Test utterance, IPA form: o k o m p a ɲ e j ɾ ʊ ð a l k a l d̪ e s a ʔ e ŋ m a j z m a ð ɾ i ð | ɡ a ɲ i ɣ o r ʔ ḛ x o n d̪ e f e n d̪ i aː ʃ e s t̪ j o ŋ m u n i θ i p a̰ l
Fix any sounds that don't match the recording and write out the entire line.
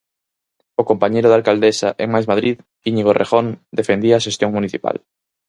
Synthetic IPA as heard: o k o m p a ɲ e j ɾ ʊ ð a l k a l d̪ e s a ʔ e ŋ m a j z m a ð ɾ i ð | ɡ i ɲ i ɣ o r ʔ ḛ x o n d̪ e f e n d̪ i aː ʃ e s t̪ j o ŋ m u n i θ i p a̰ l